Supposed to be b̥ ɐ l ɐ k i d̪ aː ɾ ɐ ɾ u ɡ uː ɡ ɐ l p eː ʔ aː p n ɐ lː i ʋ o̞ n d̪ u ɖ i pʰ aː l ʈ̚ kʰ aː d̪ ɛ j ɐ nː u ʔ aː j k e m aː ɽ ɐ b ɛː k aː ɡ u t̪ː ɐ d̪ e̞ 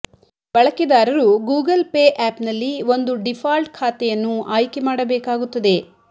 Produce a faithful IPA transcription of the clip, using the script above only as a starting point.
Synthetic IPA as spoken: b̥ ɐ ɭ ɐ k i d̪ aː ɾ ɐ ɾ u ɡ uː ɡ ɐ l p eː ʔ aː p n ɐ lː i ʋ o̞ n d̪ u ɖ i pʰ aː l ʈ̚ kʰ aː t̪ ɛ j ɐ nː u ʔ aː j k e m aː ɽ ɐ b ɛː k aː ɡ u t̪ː ɐ d̪ e̞